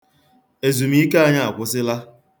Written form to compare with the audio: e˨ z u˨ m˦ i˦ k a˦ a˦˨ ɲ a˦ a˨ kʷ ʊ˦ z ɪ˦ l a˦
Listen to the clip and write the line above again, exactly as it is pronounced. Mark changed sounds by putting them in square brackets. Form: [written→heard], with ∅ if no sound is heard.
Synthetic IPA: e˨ z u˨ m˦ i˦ k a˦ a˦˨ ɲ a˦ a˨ kʷ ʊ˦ [z→s] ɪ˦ l a˦